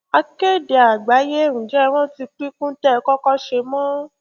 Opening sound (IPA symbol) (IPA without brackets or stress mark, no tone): a